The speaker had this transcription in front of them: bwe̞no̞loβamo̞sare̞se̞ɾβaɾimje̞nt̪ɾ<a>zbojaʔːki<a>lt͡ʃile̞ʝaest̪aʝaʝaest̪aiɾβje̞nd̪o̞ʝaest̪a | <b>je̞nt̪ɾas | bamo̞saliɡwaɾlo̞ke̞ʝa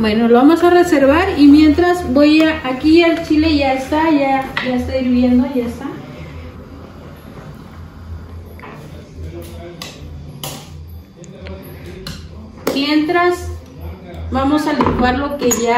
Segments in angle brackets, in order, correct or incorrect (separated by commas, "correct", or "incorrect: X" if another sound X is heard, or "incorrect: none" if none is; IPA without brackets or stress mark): correct, correct, incorrect: m